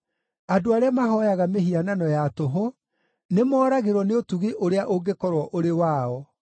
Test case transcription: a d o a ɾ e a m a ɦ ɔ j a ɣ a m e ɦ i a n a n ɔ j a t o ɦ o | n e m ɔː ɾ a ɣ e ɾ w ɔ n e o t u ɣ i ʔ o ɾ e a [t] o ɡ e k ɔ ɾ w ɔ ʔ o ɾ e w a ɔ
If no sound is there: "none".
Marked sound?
ʔ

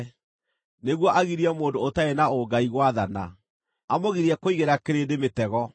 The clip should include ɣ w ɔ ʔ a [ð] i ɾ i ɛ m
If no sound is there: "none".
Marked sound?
ɣ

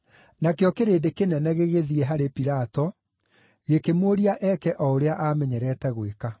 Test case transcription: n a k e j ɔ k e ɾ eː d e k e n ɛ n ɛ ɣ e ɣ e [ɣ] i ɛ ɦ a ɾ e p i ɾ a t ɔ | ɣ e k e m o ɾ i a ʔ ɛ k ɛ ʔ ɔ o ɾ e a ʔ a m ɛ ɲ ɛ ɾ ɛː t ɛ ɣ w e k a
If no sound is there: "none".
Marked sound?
ð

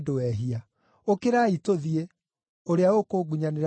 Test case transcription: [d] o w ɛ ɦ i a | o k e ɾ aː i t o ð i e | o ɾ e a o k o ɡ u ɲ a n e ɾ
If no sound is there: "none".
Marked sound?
d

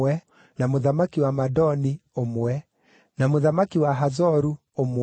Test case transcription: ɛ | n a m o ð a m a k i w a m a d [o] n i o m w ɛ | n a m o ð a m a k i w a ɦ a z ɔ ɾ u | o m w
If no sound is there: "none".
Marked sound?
ɔ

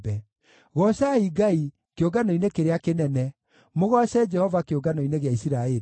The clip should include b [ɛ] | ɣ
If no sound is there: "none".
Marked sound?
ɛ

